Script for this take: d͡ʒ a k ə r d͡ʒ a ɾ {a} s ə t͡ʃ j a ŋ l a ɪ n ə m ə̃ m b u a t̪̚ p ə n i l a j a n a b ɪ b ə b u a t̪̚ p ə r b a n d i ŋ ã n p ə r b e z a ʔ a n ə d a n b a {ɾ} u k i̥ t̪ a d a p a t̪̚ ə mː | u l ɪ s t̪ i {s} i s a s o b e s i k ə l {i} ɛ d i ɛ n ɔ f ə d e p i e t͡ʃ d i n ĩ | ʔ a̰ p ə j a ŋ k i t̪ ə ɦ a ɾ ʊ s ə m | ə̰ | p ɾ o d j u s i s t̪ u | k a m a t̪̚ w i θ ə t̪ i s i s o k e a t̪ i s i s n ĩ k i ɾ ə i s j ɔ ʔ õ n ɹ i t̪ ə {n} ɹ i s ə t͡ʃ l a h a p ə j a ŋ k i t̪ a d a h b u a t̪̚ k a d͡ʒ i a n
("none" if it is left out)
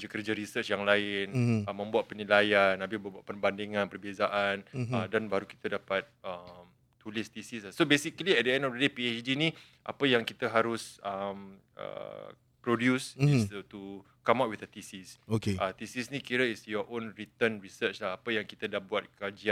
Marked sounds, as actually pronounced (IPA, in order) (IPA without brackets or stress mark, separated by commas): i, ɾ, s, i, n